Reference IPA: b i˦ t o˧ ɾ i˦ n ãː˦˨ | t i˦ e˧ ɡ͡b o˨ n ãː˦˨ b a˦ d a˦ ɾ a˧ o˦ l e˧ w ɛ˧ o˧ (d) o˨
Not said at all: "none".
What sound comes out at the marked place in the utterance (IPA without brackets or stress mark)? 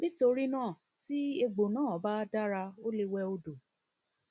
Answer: d